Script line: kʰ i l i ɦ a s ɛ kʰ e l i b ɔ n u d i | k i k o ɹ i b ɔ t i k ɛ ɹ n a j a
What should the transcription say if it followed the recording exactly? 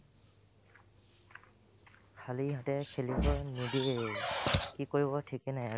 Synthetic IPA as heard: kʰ a l i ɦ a t ɛ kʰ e l i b ɔ n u d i | k i k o ɹ i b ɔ tʰ i k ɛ n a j a